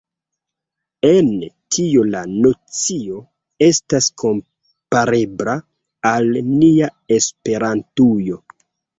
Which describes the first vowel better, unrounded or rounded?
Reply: unrounded